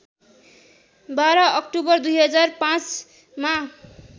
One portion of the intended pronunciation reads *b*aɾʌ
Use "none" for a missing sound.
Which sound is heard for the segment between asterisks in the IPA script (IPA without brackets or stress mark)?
b